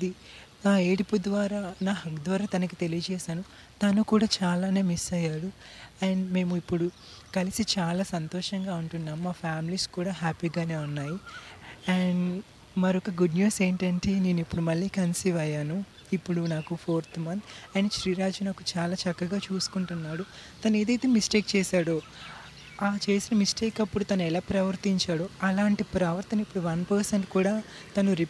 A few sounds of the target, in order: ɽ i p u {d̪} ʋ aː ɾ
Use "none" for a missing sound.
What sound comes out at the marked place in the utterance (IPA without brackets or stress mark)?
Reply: d̪